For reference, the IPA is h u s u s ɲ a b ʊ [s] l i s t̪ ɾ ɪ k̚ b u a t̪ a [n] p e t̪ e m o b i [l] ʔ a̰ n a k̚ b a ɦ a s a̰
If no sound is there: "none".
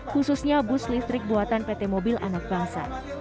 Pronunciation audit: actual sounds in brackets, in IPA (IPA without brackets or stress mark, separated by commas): s, n, l